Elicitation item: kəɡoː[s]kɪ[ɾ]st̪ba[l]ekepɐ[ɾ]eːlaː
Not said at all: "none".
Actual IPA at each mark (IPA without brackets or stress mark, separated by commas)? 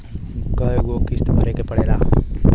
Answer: none, none, ɾ, ɽ